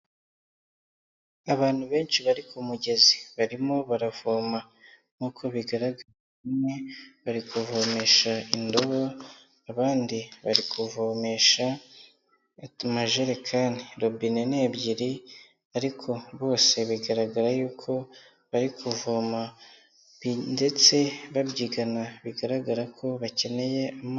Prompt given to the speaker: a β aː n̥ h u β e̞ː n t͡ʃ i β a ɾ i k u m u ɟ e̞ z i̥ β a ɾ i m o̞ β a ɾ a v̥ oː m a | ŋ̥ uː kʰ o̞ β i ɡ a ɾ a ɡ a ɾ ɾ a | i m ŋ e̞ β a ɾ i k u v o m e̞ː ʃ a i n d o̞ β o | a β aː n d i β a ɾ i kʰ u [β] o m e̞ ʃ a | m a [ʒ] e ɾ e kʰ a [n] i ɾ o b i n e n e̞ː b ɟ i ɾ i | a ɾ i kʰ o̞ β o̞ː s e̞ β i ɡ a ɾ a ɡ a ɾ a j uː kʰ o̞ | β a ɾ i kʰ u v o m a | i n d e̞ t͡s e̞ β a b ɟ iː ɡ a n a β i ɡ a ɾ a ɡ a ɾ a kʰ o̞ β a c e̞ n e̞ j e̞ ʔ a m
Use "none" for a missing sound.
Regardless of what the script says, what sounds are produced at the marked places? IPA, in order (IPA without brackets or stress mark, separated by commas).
v, ʒ, n